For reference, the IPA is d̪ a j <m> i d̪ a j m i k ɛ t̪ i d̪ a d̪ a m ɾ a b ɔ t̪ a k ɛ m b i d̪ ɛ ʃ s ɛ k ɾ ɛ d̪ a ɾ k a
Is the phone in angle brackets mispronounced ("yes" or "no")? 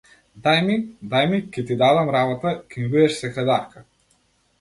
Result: no